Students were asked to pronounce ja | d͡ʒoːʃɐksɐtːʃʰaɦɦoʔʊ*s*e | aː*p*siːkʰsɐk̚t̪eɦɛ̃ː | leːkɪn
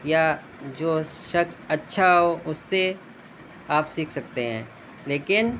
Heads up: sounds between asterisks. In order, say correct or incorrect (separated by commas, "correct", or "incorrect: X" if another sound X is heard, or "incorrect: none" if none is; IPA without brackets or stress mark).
incorrect: sː, correct